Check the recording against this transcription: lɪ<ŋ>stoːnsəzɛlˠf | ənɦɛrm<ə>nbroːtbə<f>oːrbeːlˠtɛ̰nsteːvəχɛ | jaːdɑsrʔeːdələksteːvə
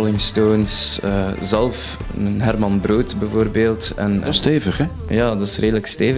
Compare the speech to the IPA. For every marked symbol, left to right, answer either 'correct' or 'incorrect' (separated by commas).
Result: correct, incorrect, incorrect